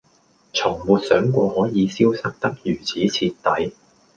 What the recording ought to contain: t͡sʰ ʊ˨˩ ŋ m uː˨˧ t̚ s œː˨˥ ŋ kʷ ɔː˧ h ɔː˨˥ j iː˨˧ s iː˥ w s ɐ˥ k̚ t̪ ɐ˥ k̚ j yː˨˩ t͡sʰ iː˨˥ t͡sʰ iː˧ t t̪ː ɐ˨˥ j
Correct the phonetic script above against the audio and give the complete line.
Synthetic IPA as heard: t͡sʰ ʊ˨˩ ŋ m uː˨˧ t̚ s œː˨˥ ŋ kʷ ɔː˧ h ɔː˨˥ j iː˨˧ s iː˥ w s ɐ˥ k̚ t̪ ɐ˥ k̚ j yː˨˩ t͡sʰ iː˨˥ t͡sʰ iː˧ t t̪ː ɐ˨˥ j